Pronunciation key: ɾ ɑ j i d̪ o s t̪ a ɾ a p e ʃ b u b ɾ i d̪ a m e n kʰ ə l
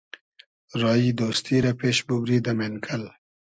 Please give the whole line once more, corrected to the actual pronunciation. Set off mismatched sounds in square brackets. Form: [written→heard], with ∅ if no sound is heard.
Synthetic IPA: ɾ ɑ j i d̪ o s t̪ [a→i] ɾ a p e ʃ b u b ɾ i d̪ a m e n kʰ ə l